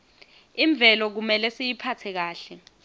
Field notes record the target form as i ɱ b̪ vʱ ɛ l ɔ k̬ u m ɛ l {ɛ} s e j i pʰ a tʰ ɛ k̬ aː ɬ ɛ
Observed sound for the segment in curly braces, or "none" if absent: ɛ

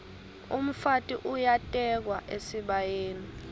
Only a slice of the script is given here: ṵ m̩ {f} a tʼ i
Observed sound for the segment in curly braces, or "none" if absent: f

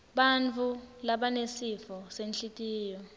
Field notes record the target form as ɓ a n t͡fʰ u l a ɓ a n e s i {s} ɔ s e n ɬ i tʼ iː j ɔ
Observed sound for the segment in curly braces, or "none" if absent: f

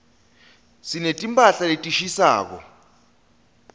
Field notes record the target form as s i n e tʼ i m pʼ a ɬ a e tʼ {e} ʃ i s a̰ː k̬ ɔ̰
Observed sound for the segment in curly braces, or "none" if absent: i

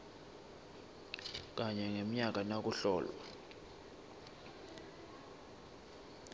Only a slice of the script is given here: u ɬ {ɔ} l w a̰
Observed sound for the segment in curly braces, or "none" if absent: ɔː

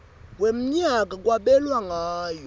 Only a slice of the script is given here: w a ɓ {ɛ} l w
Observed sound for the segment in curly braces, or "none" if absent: ɛ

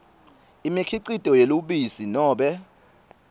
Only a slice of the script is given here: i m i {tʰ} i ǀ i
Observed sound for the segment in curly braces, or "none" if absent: kʰ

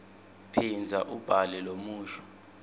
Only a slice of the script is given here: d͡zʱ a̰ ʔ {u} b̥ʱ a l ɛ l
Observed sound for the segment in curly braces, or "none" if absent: u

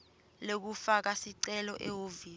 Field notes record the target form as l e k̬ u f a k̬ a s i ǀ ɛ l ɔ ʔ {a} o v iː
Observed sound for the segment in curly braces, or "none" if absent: ɛ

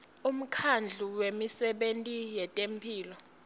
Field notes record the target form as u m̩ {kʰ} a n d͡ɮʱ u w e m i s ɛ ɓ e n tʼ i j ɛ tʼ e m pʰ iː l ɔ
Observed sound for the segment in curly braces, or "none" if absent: kʰ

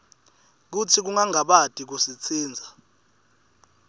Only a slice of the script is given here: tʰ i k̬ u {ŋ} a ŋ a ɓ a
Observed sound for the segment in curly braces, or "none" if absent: ŋ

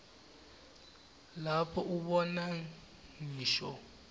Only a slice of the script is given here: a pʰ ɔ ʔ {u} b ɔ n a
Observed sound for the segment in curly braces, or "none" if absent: u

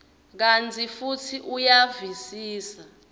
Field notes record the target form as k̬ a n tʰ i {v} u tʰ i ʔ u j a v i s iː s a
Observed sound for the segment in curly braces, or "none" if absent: f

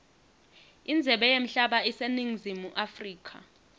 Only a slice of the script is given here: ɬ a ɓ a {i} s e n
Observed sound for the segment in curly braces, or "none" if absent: i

